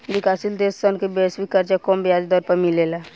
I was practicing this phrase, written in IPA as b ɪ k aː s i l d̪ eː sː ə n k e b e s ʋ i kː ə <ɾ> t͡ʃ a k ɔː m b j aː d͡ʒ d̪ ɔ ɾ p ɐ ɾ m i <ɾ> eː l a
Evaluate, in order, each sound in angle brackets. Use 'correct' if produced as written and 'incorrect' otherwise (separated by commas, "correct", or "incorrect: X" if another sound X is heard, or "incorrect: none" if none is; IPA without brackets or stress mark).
correct, incorrect: l